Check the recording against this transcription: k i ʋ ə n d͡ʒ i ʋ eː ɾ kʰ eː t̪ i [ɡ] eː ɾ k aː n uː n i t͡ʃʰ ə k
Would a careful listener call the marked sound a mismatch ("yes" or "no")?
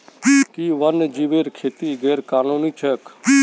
no